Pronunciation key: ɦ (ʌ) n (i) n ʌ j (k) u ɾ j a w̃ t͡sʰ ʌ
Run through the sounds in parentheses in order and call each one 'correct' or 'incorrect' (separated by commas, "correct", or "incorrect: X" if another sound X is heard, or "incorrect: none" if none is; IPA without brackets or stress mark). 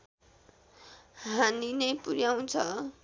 incorrect: a, correct, incorrect: p